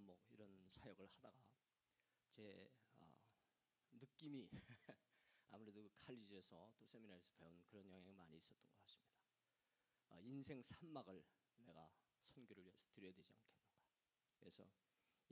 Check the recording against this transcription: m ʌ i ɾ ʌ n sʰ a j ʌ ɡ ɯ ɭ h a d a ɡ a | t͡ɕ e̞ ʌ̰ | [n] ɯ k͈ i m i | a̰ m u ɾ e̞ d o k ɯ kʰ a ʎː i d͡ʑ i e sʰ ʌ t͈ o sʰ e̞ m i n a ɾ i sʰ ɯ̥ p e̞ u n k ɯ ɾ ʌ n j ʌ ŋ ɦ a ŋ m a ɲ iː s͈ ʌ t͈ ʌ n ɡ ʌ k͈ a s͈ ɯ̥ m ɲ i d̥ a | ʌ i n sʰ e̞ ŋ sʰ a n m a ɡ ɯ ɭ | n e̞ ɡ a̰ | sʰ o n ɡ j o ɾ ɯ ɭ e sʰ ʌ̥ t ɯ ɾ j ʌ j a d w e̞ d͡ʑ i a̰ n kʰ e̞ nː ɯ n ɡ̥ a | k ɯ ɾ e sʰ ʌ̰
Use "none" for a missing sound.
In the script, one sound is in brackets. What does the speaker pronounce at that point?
n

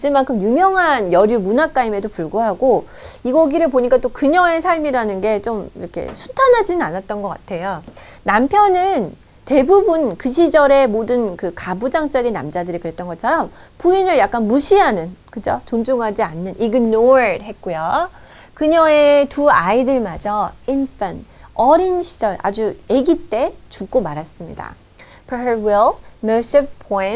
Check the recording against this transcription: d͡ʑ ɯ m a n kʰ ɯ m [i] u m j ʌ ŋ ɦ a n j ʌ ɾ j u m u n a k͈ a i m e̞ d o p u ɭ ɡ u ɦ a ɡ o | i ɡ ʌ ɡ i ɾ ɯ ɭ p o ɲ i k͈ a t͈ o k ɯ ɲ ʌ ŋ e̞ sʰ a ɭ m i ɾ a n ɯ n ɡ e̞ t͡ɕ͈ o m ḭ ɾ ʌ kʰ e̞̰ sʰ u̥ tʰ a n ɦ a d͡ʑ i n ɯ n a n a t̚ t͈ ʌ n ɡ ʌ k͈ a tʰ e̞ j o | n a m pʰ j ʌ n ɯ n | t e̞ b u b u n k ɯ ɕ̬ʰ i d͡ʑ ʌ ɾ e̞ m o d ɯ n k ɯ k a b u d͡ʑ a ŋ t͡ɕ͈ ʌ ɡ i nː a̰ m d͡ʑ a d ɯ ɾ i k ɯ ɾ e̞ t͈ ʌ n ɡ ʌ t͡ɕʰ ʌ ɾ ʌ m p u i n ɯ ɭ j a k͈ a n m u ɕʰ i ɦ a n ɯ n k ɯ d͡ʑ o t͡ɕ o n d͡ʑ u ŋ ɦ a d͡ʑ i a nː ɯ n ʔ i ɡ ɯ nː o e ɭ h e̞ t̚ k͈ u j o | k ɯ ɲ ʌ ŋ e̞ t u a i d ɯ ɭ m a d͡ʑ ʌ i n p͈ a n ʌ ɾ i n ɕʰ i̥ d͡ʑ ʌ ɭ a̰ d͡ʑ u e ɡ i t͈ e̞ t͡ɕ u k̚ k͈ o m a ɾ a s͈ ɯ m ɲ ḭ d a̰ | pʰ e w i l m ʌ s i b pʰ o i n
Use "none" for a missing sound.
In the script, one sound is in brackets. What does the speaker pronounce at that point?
j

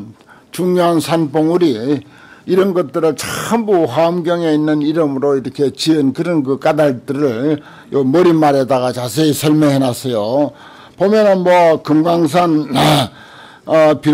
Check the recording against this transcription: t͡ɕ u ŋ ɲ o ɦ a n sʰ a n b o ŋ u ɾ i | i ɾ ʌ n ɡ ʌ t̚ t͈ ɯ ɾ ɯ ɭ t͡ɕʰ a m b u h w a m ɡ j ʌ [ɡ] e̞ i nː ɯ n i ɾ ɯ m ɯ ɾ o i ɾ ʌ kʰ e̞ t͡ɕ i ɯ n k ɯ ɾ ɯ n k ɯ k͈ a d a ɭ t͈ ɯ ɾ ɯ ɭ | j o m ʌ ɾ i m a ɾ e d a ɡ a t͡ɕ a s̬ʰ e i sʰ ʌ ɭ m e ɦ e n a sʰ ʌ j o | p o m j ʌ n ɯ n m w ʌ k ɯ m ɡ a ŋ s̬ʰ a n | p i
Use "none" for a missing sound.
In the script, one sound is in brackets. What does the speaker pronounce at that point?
ŋ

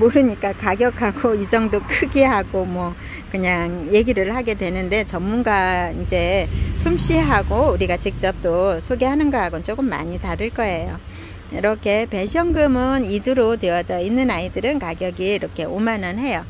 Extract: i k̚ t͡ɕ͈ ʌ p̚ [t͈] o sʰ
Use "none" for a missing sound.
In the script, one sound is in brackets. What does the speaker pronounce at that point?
t͈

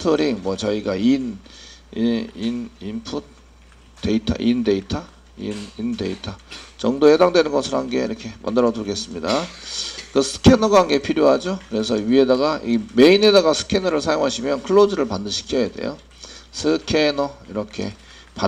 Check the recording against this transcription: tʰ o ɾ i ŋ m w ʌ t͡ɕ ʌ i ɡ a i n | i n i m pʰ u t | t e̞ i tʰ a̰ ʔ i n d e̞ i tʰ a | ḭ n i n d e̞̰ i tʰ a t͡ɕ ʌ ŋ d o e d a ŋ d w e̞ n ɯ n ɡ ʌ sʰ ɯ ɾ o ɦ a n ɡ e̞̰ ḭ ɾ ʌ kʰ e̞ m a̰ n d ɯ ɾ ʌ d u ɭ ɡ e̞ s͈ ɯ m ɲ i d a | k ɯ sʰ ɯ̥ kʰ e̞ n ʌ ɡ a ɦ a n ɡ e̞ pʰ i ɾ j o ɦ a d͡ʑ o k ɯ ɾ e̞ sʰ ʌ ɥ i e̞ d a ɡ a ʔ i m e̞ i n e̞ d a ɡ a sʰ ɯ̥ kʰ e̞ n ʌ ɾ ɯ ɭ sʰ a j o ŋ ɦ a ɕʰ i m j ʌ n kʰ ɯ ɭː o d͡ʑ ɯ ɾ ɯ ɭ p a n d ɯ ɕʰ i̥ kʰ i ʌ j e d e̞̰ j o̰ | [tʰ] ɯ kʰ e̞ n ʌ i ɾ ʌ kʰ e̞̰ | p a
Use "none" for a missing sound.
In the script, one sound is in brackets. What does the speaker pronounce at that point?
sʰ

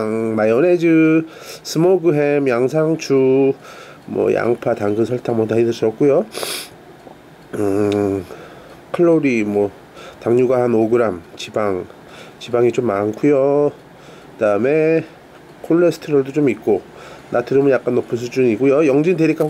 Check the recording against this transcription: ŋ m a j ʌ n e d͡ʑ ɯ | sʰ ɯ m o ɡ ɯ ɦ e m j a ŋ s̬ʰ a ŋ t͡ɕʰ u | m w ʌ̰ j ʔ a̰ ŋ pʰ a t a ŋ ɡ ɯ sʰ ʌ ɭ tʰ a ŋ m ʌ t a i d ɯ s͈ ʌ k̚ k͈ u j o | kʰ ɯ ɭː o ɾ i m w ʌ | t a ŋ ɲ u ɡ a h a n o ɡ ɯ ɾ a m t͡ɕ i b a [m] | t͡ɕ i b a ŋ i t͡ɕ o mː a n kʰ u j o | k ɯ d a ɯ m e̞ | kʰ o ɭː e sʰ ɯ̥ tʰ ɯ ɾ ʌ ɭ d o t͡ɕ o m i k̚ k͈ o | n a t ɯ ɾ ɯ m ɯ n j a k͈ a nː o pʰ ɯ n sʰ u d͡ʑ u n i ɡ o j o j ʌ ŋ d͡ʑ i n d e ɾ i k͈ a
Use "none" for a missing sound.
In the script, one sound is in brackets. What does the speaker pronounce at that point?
ŋ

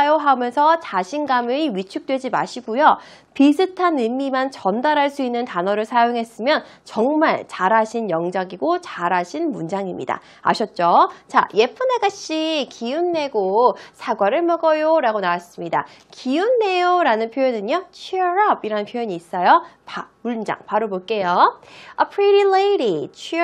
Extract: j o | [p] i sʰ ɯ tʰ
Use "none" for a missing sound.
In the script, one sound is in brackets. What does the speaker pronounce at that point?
p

